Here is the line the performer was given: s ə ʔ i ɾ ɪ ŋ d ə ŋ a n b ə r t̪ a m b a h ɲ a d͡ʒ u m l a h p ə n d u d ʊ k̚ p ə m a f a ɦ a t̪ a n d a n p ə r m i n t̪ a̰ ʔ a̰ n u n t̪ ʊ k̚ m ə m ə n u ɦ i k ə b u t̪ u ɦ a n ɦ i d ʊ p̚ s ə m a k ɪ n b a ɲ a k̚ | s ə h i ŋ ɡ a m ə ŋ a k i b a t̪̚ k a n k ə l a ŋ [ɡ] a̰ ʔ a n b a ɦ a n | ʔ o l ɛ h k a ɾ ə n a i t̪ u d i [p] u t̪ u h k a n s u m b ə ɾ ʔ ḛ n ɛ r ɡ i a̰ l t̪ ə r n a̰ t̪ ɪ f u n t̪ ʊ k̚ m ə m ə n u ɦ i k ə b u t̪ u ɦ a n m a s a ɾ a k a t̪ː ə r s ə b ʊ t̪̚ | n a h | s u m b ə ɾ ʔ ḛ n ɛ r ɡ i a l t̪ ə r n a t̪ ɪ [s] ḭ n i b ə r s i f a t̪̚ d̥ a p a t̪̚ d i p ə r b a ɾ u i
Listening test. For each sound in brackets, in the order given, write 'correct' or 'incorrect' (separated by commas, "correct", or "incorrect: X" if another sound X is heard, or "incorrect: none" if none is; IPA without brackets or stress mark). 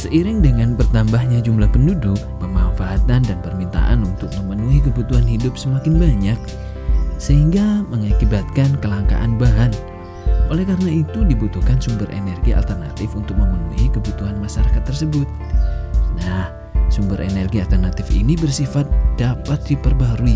incorrect: k, incorrect: b, incorrect: f